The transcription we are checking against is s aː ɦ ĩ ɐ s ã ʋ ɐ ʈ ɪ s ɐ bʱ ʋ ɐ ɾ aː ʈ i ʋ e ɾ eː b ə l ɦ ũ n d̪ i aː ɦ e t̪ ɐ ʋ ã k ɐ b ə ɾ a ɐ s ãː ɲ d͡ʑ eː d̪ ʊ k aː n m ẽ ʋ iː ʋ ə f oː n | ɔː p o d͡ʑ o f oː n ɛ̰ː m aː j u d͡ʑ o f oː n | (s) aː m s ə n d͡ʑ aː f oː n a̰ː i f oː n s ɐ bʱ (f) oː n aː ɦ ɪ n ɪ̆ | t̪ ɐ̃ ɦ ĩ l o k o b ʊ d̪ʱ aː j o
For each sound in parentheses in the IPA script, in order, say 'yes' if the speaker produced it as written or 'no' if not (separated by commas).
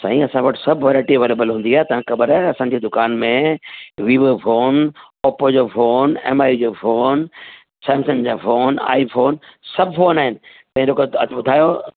yes, yes